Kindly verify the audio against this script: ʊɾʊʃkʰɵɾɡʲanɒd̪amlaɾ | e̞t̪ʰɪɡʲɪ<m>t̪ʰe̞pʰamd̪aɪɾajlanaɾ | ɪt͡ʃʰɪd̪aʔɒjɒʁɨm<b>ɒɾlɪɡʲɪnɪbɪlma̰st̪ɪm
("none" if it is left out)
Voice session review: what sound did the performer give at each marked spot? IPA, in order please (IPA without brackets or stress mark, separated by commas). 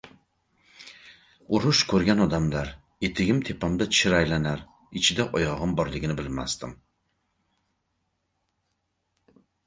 m, b